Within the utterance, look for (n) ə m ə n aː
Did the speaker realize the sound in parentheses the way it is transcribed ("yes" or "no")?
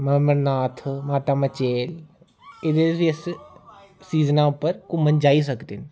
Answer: no